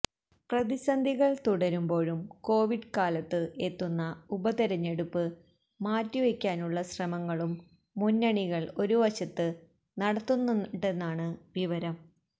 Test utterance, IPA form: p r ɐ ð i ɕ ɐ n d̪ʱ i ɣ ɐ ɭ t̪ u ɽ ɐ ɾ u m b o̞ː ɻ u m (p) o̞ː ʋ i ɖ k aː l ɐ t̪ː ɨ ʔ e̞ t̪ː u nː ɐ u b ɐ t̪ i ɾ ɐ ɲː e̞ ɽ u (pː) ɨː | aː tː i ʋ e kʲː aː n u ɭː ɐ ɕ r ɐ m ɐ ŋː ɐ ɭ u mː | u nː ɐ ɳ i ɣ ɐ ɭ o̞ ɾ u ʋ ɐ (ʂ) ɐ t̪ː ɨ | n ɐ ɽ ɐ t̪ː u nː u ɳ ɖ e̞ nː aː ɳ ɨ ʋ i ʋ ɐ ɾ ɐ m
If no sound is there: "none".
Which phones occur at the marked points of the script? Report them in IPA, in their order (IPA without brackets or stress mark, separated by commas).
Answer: k, pː, ɕ